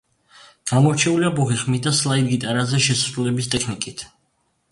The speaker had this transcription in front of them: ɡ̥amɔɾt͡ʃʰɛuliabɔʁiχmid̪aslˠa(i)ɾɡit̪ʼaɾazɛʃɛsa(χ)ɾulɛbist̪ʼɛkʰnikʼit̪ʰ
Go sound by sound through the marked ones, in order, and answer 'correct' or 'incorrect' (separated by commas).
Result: correct, incorrect